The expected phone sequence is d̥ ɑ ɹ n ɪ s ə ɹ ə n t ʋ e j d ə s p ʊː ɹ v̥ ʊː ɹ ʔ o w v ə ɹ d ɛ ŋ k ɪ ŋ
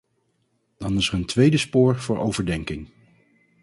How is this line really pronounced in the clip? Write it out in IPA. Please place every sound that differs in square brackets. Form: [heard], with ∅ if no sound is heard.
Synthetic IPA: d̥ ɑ [∅] n ɪ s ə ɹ ə n t ʋ e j d ə s p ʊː ɹ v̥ ʊː ɹ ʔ o w v ə ɹ d ɛ ŋ k ɪ ŋ